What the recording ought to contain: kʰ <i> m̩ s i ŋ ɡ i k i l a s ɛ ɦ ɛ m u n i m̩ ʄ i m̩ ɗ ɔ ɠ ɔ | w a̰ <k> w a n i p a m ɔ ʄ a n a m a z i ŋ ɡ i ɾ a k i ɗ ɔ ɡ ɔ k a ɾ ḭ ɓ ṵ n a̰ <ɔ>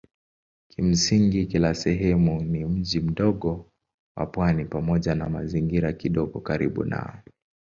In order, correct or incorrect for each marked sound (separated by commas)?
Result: correct, incorrect, correct